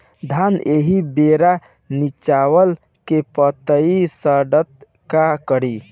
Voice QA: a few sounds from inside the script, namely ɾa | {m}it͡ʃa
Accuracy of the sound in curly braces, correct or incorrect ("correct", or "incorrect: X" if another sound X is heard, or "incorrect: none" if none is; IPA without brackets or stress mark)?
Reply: incorrect: n